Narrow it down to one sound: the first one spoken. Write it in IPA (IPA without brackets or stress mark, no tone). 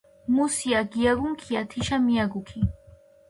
m